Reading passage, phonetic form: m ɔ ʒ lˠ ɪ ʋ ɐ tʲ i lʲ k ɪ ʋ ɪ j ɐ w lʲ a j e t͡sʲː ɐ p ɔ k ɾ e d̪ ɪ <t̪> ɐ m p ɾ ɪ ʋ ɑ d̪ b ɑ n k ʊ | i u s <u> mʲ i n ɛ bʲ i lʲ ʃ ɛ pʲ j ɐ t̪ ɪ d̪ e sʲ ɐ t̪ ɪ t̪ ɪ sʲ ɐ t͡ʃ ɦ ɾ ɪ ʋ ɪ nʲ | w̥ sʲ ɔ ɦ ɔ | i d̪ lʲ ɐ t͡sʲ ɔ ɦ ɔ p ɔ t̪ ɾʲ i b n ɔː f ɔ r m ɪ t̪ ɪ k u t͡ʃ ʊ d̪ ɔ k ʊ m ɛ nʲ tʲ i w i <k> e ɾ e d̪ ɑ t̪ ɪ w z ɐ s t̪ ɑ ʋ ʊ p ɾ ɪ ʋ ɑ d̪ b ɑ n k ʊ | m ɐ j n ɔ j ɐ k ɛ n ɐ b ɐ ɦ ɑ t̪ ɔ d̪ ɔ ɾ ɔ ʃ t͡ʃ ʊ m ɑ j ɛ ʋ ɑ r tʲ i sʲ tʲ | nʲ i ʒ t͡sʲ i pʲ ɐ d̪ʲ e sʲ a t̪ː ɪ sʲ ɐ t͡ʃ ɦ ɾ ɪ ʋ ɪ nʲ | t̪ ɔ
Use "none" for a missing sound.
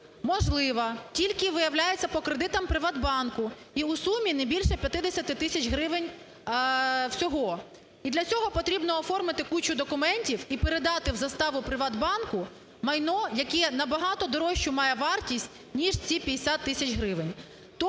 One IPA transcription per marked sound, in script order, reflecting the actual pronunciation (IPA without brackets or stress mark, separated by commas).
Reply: t̪, u, p